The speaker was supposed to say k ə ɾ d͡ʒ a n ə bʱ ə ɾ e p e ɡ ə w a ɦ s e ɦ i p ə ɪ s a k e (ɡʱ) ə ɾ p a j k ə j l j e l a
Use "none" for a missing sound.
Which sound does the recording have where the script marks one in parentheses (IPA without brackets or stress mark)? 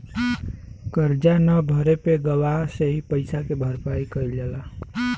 bʱ